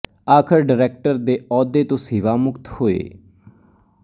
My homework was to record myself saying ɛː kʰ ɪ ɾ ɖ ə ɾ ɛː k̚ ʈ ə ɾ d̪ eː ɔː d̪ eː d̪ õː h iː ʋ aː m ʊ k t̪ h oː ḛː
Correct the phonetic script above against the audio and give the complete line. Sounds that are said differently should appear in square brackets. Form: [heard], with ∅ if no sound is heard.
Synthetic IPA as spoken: [aː] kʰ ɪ ɾ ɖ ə ɾ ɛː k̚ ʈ ə ɾ d̪ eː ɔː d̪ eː [t̪] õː [s] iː ʋ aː m ʊ k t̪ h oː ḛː